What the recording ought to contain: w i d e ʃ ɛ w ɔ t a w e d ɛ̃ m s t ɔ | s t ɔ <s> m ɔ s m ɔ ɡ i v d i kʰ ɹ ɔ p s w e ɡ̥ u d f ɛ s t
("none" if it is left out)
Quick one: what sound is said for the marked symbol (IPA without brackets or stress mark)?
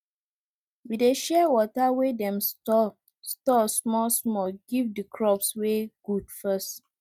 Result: s